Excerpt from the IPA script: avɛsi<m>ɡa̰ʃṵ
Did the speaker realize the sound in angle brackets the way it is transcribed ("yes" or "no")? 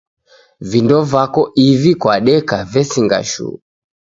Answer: no